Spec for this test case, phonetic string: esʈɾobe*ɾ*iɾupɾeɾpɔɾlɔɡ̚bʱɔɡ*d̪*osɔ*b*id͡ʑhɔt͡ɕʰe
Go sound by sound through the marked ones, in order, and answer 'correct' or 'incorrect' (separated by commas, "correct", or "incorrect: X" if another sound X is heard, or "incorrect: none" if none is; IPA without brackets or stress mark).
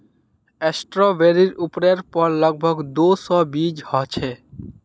correct, correct, correct